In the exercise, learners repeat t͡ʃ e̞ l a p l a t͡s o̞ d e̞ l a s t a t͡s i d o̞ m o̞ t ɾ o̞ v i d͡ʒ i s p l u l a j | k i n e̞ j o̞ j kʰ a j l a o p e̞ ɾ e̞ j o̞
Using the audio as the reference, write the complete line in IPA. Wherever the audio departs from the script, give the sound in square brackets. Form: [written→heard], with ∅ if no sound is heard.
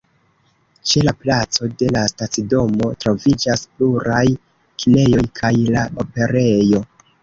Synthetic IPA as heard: t͡ʃ e̞ l a p l a t͡s o̞ d e̞ l a s t a t͡s i d o̞ m o̞ t ɾ o̞ v i d͡ʒ [i→a] s p l u [l→ɾ] a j | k i n e̞ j o̞ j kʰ a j l a o p e̞ ɾ e̞ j o̞